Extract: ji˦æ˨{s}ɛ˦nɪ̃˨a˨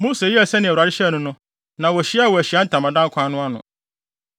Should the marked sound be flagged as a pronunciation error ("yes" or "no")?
no